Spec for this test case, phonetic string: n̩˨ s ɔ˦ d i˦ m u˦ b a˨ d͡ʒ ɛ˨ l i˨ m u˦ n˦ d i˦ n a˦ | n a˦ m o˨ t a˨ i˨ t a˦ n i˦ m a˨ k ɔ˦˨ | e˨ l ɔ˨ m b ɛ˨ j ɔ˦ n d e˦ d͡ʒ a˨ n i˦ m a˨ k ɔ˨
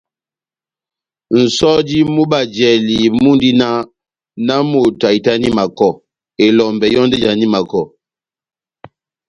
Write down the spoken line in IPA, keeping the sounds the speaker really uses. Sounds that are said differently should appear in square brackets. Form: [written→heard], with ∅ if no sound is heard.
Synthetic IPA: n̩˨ s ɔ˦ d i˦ m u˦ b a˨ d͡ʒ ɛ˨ l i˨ m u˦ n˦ d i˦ n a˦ | n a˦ m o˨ t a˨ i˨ t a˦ n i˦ m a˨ k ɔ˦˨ | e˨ l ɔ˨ m b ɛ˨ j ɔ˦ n d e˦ d͡ʒ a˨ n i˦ m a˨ k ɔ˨